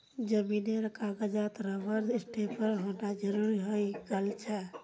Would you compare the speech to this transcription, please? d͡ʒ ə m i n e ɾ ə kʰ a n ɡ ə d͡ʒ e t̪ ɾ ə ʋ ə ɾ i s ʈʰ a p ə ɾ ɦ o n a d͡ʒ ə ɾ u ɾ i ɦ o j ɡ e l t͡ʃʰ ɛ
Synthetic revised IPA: d͡ʒ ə m i n e ɾ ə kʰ a ɡ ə d͡ʒ a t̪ ɾ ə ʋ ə ɾ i s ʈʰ e p ə ɾ ɦ o n a d͡ʒ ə ɾ u ɾ i ɦ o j ɡ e l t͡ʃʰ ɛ